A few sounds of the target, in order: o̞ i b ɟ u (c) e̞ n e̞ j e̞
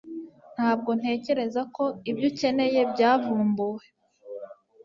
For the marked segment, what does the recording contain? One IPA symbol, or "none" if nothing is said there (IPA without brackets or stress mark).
c